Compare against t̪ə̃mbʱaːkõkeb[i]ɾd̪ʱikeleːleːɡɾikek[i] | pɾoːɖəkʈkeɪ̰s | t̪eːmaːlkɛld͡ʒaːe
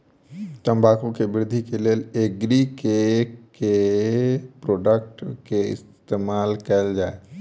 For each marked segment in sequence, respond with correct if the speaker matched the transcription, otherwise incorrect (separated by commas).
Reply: incorrect, incorrect